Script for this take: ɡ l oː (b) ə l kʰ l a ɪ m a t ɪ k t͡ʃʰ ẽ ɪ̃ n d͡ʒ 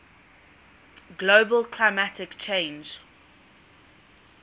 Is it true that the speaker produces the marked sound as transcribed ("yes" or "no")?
yes